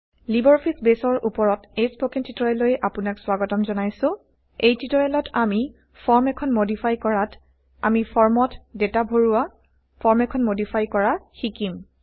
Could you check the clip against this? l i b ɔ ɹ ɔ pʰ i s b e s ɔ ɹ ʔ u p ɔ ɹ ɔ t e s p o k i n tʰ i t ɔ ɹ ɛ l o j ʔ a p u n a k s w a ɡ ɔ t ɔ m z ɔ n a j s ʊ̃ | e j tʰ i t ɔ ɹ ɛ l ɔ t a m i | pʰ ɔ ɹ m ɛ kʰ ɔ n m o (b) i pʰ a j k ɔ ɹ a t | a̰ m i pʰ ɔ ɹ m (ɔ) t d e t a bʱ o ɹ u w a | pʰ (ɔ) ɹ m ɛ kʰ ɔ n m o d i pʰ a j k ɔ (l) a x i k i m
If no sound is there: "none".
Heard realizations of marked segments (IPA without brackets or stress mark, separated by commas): d, ɔ, ɔ, ɹ